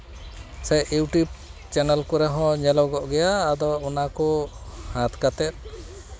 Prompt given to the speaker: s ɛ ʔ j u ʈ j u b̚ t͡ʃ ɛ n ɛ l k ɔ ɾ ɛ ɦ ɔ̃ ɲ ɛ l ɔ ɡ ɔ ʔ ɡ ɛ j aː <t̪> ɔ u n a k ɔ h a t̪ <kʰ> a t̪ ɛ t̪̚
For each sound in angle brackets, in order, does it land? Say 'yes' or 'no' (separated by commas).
no, no